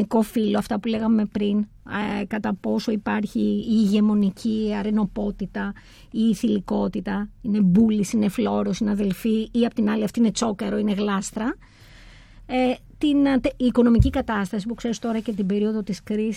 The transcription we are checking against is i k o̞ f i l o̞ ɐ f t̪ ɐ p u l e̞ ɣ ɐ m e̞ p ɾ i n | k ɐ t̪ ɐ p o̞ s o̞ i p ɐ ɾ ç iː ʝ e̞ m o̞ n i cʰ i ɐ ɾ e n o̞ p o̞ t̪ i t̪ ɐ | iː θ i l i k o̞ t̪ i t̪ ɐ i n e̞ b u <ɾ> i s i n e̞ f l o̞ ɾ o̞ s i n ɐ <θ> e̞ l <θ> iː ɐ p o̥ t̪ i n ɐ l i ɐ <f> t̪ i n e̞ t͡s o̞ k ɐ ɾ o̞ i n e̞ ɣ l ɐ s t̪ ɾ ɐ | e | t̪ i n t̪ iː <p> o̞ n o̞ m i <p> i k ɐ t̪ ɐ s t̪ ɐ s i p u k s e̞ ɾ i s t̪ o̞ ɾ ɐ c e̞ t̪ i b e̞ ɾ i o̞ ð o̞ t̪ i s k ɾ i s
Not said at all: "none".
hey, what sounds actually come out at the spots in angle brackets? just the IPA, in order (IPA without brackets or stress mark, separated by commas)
l, ð, f, f, k, c